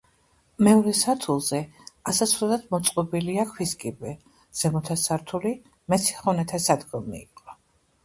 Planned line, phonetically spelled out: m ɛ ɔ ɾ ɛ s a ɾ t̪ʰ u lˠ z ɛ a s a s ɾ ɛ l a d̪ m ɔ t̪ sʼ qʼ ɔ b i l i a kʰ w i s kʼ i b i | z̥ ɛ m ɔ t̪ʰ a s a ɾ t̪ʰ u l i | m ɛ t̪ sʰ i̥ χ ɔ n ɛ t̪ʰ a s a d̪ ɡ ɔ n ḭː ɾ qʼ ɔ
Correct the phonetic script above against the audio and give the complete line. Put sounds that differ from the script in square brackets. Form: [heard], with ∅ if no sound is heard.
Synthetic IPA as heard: m ɛ ɔ ɾ ɛ s a ɾ t̪ʰ u lˠ z ɛ a s a s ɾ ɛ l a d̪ m ɔ t̪ sʼ qʼ ɔ b i l i a kʰ w i s kʼ i b [ɛ] | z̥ ɛ m ɔ t̪ʰ a s a ɾ t̪ʰ u l i | m ɛ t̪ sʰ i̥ χ ɔ n ɛ t̪ʰ a s a d̪ ɡ ɔ [m] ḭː [∅] qʼ ɔ